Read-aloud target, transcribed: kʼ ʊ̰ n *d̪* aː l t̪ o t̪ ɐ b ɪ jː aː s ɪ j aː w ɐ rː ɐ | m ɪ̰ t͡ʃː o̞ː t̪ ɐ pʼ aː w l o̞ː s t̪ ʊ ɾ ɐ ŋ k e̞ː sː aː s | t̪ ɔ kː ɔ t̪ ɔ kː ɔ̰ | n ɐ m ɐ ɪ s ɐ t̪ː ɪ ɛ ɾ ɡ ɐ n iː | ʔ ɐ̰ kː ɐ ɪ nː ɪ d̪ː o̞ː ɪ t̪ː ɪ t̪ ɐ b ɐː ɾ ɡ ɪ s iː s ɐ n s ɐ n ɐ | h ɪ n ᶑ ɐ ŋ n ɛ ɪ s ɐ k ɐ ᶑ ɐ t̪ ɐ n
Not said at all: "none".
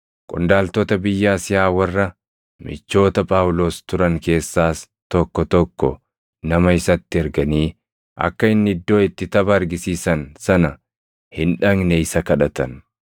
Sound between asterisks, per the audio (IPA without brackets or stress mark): d̪